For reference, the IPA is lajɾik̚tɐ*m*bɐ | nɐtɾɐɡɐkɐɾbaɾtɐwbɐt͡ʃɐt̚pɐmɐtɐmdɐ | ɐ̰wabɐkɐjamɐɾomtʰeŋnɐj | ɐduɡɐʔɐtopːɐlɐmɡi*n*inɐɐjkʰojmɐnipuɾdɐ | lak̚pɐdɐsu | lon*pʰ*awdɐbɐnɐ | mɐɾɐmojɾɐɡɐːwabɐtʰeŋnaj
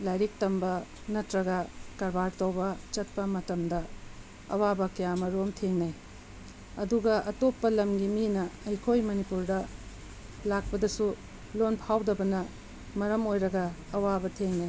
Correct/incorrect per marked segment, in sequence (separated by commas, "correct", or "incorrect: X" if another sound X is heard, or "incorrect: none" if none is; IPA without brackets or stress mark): correct, incorrect: m, correct